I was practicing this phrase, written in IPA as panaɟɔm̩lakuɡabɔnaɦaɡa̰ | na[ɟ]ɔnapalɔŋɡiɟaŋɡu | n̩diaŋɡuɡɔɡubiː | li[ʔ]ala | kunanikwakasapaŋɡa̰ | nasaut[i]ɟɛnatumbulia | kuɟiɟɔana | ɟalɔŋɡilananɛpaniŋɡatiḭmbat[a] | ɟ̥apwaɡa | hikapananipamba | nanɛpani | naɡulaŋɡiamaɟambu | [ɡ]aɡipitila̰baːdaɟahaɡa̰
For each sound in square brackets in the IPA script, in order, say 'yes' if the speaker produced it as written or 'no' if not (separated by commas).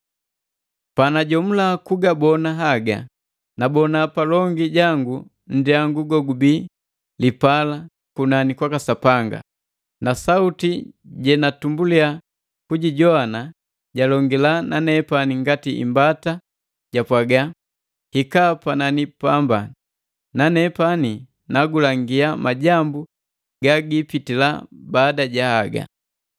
no, no, yes, yes, yes